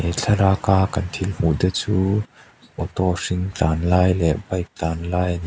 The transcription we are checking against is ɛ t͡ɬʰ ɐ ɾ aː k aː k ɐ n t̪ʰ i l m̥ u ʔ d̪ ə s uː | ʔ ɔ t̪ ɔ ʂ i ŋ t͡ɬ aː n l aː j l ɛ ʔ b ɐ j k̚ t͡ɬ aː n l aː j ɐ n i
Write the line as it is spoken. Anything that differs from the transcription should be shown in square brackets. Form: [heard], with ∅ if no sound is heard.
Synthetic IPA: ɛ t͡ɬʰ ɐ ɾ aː k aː k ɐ n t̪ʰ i l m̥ u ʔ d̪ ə [t͡s] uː | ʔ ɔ t̪ ɔ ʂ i ŋ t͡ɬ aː n l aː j l ɛ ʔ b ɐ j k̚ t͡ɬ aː n l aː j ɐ n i